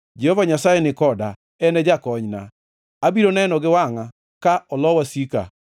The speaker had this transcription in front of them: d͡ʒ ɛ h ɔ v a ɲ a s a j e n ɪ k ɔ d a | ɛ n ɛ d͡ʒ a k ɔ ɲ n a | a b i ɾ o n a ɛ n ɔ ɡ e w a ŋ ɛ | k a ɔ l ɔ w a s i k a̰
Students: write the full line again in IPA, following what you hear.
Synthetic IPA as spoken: d͡ʒ ɛ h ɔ v a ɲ a s a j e n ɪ k ɔ d a | ɛ n ɛ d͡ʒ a k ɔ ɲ n a | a b i ɾ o n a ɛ n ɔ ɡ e w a ŋ a | k a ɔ l ɔ w a s i k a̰